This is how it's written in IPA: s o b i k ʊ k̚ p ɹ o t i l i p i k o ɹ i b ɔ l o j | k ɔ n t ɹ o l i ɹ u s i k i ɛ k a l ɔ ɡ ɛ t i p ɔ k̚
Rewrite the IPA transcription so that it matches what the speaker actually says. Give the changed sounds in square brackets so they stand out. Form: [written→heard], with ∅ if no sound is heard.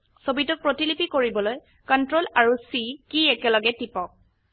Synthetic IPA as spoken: s o b i [k→t] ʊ k̚ p ɹ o t i l i p i k o ɹ i b ɔ l o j | k ɔ n t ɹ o l [i→a] ɹ u s i k i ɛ k [a→ɛ] l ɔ ɡ ɛ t i p ɔ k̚